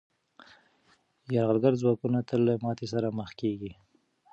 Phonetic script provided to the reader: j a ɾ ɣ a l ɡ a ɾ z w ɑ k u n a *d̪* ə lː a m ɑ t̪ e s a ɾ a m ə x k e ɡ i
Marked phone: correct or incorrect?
incorrect